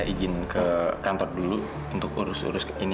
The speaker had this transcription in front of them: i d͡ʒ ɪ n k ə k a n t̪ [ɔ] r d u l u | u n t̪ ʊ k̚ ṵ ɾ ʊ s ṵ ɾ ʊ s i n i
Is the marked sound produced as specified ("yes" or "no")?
yes